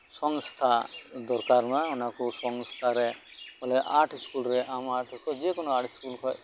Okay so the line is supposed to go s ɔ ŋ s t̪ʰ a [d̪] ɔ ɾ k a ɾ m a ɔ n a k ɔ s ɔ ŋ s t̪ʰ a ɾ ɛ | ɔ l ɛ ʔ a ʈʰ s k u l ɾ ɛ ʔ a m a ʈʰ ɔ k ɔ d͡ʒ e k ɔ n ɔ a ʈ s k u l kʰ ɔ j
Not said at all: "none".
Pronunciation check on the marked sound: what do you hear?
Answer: d̪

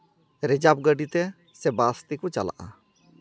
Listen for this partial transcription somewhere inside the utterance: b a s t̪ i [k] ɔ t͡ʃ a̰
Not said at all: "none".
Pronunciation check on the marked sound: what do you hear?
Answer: k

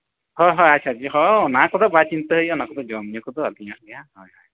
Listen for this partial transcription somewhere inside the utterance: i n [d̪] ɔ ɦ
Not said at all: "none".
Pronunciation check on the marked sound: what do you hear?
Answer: t̪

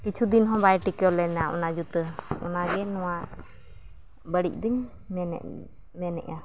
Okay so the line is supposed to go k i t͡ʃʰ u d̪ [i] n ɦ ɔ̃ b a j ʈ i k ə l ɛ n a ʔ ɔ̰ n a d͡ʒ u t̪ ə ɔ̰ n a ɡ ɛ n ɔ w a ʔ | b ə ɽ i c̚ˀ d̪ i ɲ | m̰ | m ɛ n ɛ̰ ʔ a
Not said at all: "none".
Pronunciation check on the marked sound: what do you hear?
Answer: i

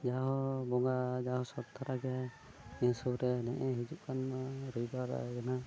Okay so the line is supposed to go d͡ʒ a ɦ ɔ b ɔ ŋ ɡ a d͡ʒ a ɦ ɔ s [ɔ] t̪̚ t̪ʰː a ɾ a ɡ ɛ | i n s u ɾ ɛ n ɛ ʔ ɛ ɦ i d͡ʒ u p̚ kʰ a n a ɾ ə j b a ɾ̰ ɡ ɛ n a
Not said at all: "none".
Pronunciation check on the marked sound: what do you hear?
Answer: ɔ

